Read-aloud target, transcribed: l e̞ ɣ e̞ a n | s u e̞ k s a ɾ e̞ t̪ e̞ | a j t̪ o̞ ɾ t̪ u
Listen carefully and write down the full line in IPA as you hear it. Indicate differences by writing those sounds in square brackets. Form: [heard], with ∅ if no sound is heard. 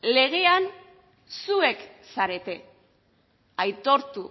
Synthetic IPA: l e̞ ɣ e̞ a n | s u e̞ k s a ɾ e̞ t̪ e̞ | a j t̪ o̞ ɾ t̪ u